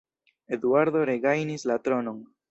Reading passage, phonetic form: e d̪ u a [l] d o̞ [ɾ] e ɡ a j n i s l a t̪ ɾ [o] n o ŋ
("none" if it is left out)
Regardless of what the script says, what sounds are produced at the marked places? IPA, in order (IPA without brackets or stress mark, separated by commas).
ɾ, ɾ, o